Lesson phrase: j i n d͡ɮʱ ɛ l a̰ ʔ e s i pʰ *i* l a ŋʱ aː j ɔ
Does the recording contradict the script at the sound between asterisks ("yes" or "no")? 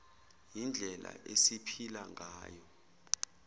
no